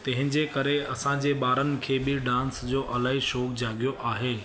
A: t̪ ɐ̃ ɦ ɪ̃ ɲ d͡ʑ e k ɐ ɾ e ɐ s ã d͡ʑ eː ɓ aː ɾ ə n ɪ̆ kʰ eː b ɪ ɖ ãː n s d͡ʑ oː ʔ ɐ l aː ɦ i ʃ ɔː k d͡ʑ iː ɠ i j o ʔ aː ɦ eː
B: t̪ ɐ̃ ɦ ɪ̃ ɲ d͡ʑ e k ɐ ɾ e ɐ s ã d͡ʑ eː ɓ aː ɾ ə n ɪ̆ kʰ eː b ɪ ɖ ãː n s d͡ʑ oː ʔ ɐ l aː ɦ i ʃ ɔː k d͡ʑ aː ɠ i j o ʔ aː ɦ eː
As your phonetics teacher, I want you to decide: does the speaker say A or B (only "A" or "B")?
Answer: B